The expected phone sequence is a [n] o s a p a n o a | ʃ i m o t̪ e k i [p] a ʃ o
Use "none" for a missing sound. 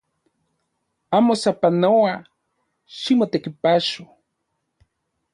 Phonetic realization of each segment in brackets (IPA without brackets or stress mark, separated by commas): m, p